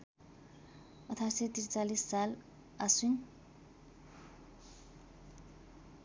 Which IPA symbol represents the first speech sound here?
ʌ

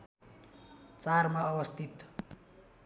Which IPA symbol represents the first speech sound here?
t͡s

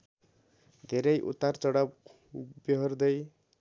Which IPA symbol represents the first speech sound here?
d̪ʱ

